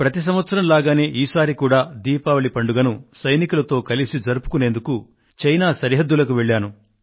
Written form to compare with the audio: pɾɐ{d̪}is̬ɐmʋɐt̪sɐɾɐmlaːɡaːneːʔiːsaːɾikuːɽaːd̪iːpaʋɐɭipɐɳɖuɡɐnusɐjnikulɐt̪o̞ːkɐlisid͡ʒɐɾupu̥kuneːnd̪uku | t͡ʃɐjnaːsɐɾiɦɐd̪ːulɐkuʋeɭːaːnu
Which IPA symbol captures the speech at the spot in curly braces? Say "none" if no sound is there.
t̪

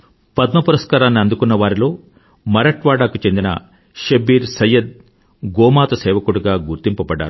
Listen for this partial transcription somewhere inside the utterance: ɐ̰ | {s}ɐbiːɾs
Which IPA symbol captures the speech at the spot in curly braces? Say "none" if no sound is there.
ʃ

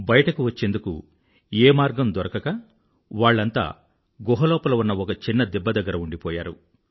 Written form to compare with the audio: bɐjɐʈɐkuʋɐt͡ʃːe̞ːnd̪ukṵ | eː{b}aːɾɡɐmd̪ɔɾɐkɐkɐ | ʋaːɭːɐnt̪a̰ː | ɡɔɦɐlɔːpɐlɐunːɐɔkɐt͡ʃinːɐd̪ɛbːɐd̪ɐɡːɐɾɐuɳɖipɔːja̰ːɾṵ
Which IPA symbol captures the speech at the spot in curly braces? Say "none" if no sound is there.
m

